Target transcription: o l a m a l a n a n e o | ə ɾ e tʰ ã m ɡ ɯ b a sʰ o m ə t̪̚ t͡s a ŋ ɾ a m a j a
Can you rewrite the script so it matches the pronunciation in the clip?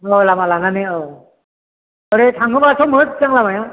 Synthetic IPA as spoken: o l a m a l a n a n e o | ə ɾ e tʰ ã ŋ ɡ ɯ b a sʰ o m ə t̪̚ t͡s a ŋ l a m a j a